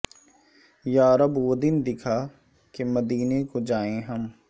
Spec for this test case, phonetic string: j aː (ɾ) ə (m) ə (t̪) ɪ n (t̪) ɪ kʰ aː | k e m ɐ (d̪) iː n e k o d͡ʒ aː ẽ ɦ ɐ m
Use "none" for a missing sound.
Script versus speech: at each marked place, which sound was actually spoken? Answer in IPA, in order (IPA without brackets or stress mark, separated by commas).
ɾ, b, d̪, d̪, d̪